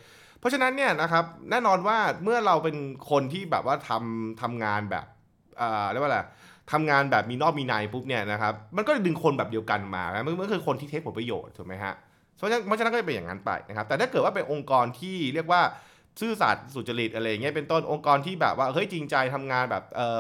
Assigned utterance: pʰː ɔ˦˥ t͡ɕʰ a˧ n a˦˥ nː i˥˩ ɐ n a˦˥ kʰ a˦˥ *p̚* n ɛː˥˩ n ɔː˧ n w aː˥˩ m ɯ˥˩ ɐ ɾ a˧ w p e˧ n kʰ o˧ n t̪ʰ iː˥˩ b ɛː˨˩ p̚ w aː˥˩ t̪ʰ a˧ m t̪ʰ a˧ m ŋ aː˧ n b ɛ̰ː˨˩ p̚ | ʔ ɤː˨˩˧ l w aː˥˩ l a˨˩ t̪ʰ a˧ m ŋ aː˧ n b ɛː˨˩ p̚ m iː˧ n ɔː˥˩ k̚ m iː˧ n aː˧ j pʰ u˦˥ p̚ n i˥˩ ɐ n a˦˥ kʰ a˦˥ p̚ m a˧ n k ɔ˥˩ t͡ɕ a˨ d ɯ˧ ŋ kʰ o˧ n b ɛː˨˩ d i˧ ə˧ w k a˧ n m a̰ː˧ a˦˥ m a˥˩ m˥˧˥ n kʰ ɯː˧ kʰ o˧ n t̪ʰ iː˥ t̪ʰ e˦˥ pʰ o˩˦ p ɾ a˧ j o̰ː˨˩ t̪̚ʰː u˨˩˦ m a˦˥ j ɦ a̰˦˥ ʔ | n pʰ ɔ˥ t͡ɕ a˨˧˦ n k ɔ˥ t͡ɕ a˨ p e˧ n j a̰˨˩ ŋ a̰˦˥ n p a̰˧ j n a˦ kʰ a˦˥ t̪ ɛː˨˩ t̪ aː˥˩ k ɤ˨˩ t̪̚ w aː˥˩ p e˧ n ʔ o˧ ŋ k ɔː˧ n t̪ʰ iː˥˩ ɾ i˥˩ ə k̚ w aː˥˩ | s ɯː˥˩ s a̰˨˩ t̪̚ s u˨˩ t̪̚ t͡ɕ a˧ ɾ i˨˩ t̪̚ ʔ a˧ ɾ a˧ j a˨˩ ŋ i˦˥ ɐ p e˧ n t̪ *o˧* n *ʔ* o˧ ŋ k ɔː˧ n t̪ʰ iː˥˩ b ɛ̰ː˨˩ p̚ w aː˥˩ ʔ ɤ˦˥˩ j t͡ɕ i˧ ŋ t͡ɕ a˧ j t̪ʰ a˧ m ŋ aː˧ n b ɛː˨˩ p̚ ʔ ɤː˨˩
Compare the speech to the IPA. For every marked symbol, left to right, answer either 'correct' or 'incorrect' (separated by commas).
correct, incorrect, correct